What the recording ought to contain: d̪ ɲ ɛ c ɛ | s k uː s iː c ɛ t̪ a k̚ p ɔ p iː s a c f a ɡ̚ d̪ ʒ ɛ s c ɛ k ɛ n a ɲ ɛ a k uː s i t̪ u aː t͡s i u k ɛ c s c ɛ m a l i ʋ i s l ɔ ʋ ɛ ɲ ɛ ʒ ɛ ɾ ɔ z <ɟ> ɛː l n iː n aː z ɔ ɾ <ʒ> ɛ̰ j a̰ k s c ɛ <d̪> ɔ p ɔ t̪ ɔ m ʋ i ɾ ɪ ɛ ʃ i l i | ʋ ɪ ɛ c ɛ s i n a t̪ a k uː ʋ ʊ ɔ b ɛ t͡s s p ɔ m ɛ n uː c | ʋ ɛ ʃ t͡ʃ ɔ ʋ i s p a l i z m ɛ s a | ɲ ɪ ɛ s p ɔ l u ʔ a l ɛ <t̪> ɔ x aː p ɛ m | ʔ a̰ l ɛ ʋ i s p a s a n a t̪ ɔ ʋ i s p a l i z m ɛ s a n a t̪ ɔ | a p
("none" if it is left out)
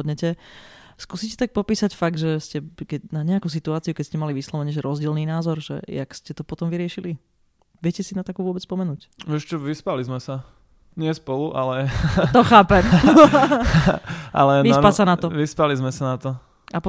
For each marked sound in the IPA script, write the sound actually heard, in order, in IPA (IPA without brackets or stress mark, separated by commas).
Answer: ɟ, ʒ, t̪, t̪